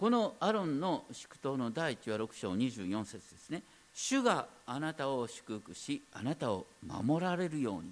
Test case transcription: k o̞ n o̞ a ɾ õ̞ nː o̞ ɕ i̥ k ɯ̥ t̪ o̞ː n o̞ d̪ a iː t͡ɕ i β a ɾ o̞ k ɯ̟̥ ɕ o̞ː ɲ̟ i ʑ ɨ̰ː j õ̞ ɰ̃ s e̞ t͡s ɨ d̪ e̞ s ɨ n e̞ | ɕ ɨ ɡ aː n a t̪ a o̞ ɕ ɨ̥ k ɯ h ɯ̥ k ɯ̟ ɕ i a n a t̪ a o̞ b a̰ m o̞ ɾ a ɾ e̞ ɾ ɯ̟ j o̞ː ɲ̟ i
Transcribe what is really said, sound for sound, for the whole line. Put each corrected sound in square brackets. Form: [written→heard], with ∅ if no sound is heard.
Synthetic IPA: k o̞ n o̞ a ɾ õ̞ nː o̞ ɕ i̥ k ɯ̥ t̪ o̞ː n o̞ d̪ a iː t͡ɕ i β a ɾ o̞ k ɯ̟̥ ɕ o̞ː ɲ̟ i ʑ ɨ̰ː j õ̞ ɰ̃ s e̞ t͡s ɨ d̪ e̞ s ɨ n e̞ | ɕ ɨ ɡ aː n a t̪ a o̞ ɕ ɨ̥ k ɯ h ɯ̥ k ɯ̟ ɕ i a n a t̪ a o̞ [b→m] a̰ m o̞ ɾ a ɾ e̞ ɾ ɯ̟ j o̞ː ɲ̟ i